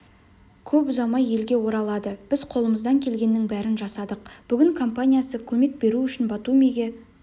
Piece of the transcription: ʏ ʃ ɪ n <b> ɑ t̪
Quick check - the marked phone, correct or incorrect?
correct